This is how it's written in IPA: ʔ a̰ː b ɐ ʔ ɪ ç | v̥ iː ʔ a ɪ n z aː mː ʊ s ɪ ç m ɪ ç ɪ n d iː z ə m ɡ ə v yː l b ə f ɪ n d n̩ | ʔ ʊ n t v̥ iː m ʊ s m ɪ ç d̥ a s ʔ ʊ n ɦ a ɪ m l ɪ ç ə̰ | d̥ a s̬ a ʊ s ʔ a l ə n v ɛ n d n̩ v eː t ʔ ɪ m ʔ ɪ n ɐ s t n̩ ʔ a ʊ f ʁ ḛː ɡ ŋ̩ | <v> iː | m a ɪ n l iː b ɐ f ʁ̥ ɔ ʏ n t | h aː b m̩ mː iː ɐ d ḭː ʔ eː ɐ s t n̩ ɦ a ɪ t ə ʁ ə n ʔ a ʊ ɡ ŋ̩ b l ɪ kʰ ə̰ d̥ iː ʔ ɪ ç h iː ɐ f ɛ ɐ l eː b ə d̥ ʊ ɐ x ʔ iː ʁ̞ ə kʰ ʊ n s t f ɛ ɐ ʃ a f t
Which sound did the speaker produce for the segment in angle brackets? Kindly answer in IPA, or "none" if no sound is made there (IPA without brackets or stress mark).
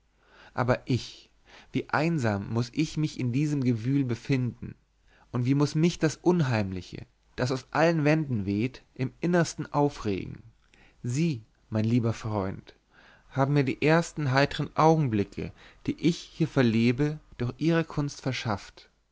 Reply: z